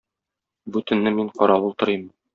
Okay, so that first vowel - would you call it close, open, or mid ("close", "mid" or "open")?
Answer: close